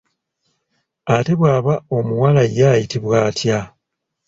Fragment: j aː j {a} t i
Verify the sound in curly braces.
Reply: incorrect: i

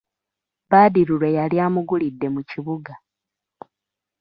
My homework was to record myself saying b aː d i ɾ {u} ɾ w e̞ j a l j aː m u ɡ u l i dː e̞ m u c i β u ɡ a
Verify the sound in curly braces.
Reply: correct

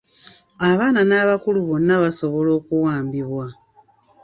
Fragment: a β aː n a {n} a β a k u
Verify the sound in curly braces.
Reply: correct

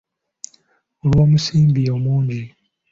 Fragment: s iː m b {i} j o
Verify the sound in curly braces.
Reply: correct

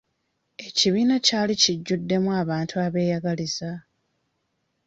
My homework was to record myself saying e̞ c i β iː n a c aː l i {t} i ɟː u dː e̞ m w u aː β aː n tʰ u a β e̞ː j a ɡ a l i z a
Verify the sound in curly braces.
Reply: incorrect: c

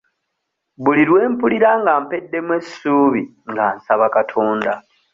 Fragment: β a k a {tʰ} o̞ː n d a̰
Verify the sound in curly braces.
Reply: correct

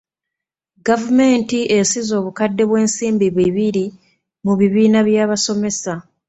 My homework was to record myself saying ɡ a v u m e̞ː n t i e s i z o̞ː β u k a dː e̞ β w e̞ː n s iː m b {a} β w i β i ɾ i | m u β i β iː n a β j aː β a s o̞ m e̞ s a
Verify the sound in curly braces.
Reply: incorrect: i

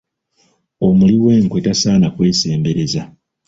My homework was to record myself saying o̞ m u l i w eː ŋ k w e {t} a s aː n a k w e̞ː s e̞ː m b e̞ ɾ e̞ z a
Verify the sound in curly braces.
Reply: correct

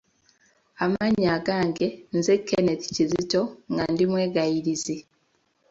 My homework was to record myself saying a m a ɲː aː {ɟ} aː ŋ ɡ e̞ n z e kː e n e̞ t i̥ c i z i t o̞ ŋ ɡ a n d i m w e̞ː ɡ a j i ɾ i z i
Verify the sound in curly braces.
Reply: incorrect: ɡ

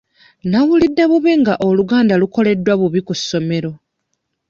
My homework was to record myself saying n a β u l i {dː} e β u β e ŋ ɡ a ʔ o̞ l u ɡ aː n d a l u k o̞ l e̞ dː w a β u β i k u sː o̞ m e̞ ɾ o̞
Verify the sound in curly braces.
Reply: correct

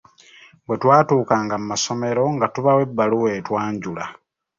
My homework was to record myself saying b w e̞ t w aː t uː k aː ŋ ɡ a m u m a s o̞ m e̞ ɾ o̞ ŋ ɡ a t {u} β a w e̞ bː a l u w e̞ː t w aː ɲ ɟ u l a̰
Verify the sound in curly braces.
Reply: correct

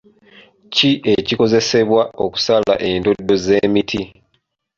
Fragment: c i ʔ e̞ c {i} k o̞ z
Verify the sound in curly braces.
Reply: correct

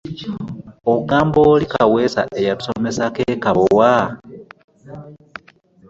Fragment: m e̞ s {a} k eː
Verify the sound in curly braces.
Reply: correct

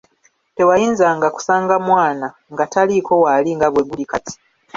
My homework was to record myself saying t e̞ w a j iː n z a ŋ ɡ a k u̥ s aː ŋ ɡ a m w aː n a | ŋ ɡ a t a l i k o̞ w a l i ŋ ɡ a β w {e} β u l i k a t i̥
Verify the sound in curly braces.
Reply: correct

